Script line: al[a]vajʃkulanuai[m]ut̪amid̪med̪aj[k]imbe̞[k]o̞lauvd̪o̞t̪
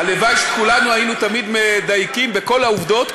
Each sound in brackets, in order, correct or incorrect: incorrect, incorrect, correct, correct

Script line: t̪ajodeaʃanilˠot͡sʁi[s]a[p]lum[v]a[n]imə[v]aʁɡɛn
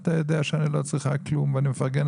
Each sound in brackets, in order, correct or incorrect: incorrect, incorrect, correct, correct, incorrect

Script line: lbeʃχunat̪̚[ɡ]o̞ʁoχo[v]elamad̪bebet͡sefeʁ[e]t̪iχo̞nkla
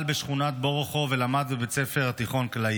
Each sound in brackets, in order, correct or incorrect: incorrect, correct, incorrect

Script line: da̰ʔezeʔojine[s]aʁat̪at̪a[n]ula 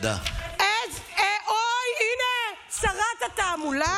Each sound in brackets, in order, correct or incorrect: correct, incorrect

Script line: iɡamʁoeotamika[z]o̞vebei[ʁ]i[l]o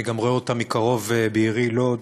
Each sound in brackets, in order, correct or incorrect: incorrect, correct, correct

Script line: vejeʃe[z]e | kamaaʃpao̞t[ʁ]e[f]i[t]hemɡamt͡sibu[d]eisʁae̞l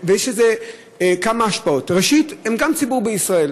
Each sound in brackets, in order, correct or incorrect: correct, correct, incorrect, correct, incorrect

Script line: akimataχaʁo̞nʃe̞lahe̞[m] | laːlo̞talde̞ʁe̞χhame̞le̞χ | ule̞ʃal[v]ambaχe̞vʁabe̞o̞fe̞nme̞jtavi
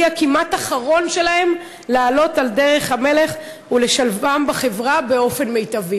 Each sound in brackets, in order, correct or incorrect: correct, correct

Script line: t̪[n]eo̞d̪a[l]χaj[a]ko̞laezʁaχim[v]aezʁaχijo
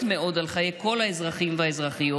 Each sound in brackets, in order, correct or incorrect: incorrect, correct, incorrect, correct

